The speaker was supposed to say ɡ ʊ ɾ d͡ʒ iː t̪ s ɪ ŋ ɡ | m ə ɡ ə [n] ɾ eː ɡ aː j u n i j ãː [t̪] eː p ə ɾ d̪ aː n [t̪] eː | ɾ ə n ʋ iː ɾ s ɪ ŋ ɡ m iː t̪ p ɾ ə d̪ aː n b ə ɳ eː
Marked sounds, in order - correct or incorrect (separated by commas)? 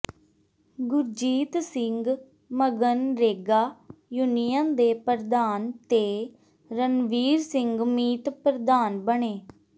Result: correct, incorrect, correct